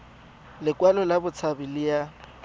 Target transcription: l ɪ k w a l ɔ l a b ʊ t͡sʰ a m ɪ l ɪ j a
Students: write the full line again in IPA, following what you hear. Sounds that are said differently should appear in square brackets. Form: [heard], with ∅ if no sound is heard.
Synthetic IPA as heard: l ɪ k w a l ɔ l a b ʊ t͡sʰ a [b] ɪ l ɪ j a